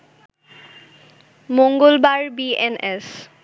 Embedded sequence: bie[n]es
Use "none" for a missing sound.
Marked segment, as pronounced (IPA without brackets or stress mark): n